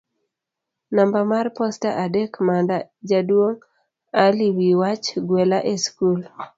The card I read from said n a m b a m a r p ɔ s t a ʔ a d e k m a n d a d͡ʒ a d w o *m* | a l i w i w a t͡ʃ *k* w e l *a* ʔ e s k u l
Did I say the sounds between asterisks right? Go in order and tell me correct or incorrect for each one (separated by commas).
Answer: incorrect, incorrect, correct